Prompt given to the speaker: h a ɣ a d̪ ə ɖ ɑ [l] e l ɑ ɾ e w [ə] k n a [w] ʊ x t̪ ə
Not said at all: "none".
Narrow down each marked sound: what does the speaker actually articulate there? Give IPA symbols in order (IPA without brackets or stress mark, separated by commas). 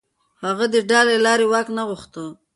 l, ɑ, ɣ